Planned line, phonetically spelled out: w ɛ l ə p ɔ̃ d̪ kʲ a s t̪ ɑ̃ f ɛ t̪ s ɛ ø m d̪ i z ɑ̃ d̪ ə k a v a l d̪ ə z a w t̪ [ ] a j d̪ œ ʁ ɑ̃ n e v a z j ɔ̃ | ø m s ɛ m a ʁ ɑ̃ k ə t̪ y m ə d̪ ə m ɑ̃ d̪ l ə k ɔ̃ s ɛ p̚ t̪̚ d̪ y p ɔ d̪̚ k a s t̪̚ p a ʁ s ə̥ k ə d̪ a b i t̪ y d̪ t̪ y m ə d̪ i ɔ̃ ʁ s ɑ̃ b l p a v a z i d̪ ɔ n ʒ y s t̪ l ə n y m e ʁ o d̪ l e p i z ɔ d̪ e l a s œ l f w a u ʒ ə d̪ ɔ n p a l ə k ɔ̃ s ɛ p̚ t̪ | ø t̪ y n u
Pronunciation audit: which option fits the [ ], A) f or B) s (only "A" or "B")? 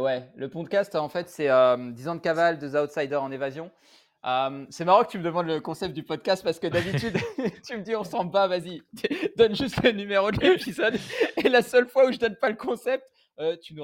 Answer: B